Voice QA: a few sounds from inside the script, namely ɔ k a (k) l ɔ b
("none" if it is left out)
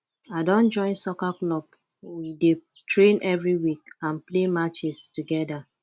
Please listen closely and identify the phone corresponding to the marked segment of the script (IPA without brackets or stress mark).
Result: k